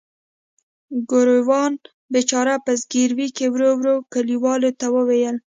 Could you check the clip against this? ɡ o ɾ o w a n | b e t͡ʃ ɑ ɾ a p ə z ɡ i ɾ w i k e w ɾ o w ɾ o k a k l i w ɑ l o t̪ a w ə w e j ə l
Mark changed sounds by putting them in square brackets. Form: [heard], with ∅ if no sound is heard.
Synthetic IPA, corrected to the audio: ɡ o ɾ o w [ɑ] n | b e t͡ʃ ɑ ɾ a p ə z ɡ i ɾ w i k e w ɾ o w ɾ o k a [∅] l i w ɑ l o t̪ a w ə w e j ə l